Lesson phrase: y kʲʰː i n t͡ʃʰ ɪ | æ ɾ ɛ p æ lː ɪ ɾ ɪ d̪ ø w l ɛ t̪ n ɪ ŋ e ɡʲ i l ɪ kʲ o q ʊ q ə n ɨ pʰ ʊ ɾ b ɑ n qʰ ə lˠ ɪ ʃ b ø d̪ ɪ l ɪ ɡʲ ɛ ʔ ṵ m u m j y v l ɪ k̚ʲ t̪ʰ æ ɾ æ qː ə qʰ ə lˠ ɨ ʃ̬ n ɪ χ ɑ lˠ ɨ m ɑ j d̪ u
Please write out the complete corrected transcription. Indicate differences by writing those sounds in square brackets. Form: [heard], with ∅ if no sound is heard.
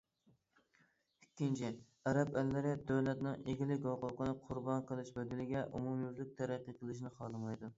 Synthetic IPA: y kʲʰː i n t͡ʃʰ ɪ | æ ɾ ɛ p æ lː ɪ ɾ ɪ d̪ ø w l ɛ t̪ n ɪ ŋ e ɡʲ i l ɪ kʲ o q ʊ q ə n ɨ [qʰ] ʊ ɾ b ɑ n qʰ ə lˠ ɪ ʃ b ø d̪ ɪ l ɪ ɡʲ ɛ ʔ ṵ m u m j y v l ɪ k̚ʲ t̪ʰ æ ɾ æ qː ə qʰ ə lˠ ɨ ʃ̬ n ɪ χ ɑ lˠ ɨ m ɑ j d̪ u